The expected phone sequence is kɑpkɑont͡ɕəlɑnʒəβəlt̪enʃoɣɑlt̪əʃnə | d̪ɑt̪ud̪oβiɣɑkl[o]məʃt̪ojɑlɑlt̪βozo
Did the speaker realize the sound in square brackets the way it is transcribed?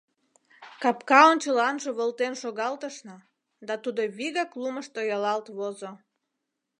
no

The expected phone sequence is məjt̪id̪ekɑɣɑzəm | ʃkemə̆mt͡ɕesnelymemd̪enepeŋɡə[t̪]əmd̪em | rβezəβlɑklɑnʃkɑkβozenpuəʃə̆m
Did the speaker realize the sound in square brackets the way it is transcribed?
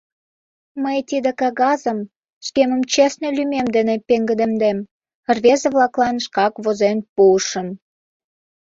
no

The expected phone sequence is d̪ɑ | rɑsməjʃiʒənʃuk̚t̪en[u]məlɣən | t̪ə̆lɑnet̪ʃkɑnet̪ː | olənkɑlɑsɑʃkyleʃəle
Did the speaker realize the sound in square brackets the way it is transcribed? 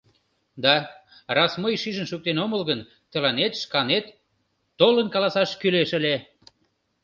no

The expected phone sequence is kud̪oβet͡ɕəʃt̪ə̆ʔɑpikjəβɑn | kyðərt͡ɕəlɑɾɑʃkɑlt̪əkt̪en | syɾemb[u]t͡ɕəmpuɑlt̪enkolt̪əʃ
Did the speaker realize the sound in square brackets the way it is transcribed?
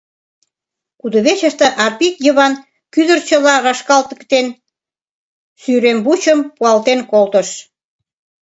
yes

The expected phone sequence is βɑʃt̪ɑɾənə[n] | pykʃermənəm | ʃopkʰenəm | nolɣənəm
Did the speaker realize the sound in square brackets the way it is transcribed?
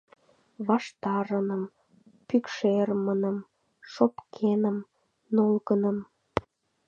no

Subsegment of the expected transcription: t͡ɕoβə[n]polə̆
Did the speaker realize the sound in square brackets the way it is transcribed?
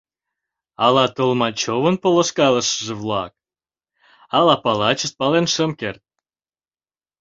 yes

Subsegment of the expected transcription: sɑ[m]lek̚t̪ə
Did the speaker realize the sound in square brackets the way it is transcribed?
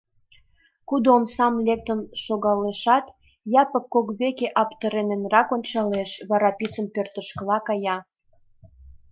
yes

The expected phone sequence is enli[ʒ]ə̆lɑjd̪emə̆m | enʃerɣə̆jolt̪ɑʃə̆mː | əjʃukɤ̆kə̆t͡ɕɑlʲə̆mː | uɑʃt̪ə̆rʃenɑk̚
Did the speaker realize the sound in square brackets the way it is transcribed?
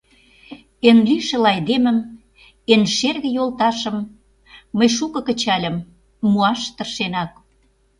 no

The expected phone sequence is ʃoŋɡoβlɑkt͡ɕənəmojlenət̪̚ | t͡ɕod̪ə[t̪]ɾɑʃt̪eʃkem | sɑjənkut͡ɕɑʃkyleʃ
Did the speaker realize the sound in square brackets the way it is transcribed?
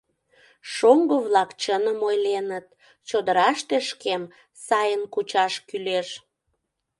no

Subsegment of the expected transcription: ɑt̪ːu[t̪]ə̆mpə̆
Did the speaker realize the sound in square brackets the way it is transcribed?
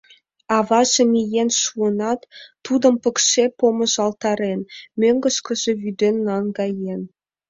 no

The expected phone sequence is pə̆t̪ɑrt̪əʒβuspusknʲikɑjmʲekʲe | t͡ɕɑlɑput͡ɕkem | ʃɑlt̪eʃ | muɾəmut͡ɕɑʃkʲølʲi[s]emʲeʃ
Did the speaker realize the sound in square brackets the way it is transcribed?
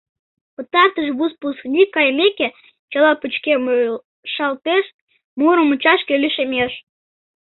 no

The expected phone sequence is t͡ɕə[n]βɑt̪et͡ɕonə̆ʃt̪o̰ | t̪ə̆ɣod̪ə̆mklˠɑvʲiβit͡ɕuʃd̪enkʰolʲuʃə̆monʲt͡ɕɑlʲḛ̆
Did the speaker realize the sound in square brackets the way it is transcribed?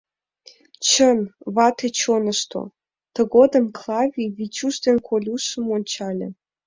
yes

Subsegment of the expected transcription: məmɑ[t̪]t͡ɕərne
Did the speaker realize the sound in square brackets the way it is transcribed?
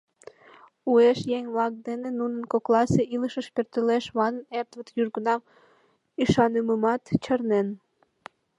yes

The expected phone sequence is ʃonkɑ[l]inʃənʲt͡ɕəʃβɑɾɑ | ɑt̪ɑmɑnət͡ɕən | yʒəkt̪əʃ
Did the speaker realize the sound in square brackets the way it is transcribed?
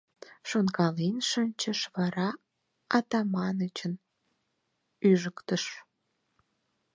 yes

